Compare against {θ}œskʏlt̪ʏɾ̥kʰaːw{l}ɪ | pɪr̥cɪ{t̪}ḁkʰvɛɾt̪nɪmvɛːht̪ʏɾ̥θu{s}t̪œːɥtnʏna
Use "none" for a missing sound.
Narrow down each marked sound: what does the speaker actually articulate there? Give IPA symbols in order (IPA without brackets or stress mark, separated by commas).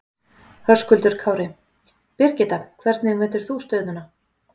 h, ɾ, t̪, s